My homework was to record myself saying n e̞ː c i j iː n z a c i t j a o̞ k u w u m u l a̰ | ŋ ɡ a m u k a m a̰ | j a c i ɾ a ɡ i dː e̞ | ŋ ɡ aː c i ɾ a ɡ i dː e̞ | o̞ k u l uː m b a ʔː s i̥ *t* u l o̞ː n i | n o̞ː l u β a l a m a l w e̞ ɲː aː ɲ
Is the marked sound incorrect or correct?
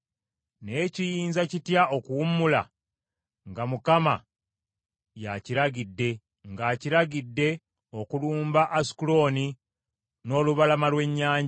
incorrect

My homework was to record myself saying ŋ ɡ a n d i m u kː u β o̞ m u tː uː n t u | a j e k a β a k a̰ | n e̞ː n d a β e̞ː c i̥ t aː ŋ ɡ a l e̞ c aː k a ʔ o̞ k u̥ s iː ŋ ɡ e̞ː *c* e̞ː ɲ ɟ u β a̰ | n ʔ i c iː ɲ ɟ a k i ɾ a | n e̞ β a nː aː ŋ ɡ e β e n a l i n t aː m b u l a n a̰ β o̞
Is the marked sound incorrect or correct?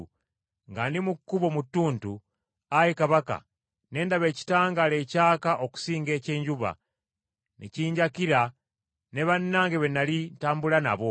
correct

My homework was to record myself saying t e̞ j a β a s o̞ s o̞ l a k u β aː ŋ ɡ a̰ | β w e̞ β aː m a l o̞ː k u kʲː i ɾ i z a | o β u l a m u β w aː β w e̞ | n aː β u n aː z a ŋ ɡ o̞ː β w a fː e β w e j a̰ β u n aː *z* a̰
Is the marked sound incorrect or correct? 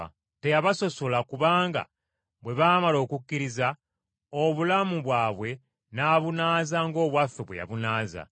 correct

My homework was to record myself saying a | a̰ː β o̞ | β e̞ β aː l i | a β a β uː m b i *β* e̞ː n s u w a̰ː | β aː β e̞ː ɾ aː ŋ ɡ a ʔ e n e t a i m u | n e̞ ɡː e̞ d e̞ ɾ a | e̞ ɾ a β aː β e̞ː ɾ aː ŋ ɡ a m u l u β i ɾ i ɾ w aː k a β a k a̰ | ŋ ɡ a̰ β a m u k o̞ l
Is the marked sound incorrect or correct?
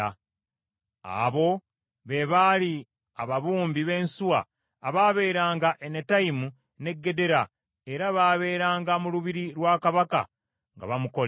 correct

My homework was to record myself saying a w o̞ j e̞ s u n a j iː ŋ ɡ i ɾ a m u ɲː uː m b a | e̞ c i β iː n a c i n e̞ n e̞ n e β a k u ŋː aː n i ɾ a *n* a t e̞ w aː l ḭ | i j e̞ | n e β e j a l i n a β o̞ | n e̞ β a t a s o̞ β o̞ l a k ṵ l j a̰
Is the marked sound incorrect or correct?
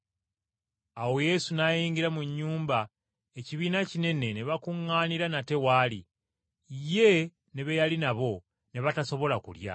correct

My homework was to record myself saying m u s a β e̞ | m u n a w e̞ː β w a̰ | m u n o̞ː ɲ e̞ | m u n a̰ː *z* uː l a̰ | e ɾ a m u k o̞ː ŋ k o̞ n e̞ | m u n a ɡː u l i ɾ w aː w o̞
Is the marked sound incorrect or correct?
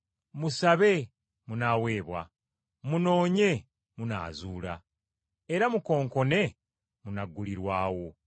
correct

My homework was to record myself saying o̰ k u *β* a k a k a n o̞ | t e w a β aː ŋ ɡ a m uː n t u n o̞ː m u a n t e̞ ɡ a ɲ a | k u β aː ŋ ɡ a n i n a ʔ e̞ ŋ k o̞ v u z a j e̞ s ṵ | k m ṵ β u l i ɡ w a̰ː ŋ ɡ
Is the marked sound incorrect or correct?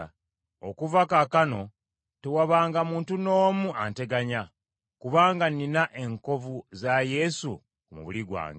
incorrect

